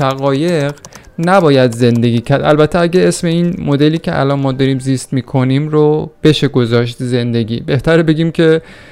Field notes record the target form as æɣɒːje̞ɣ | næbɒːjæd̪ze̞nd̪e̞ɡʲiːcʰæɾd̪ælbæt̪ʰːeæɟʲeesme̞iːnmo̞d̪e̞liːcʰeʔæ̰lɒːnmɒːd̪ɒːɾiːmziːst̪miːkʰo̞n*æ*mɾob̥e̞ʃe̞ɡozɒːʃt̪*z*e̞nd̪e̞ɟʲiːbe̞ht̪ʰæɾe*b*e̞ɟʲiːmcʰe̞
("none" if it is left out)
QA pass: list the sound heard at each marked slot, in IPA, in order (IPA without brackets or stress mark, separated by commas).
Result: i, z, b